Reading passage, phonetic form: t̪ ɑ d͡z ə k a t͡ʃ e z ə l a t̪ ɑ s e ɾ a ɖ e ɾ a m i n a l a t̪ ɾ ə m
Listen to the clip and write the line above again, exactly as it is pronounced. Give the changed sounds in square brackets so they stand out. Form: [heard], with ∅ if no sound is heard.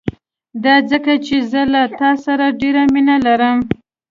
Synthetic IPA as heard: [d̪] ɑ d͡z ə k a t͡ʃ e z ə l a t̪ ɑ s [a] ɾ a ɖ e ɾ a m i n a l a [∅] ɾ ə m